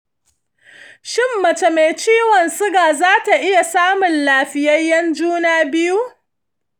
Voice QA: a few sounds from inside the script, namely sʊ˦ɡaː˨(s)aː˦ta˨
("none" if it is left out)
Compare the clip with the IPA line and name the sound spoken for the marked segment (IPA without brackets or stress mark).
z